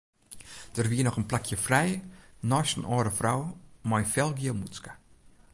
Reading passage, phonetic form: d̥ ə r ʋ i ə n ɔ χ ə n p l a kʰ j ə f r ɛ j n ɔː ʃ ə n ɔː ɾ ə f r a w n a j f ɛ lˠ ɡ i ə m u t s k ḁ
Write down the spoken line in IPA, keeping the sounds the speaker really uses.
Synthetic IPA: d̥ ə r ʋ i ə n ɔ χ ə n p l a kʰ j ə f r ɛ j n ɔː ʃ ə n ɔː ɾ ə f r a w m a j f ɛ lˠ ɡ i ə m u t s k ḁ